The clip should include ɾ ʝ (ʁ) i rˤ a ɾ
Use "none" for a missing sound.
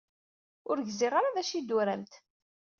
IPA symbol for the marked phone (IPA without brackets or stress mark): z